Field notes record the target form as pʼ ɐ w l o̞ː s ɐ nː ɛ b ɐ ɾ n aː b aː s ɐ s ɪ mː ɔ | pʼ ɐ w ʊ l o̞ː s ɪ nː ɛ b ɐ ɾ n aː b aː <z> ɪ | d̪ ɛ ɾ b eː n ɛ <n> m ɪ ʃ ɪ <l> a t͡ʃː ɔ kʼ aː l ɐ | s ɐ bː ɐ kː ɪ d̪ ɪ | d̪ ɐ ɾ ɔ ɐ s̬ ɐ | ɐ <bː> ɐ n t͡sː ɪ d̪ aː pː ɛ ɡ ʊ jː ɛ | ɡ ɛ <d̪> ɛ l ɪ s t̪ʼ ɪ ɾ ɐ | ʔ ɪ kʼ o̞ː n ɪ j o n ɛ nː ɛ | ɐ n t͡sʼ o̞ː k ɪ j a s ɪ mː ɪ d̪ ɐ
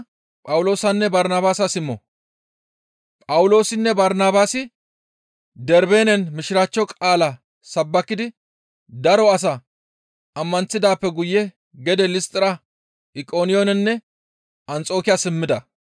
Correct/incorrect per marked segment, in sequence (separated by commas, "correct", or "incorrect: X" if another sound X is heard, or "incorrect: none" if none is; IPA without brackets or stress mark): incorrect: s, correct, incorrect: ɾ, incorrect: mː, correct